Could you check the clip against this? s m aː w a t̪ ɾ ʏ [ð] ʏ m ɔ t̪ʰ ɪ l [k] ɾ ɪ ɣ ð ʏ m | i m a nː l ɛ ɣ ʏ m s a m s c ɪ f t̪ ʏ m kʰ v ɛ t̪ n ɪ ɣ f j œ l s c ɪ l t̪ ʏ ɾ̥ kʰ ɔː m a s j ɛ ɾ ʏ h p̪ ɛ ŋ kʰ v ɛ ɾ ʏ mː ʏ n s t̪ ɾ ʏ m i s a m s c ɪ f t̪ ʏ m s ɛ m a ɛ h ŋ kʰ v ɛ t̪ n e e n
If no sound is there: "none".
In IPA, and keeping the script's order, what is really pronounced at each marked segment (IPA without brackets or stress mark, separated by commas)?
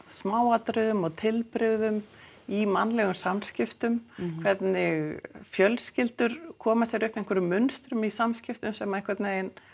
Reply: ð, p